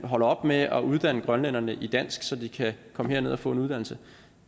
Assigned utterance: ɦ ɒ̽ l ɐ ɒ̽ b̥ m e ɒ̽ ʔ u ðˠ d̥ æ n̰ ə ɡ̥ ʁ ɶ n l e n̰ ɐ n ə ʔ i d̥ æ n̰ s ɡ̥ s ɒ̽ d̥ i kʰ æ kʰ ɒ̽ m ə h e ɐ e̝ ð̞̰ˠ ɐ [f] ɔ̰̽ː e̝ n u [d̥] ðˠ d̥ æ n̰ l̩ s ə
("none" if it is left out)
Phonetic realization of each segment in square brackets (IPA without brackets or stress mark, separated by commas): f, none